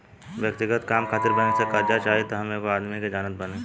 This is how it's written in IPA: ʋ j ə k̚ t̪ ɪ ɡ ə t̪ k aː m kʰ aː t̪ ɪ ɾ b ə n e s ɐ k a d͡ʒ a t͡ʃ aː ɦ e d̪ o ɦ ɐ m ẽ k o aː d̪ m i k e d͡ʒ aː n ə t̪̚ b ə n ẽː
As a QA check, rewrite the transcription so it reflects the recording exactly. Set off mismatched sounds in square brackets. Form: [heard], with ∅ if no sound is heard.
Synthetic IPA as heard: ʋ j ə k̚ t̪ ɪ ɡ ə t̪ k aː m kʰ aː t̪ ɪ ɾ b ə n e s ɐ k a d͡ʒ a t͡ʃ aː ɦ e [t̪] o ɦ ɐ m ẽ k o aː d̪ m i k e d͡ʒ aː n ə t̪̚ b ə n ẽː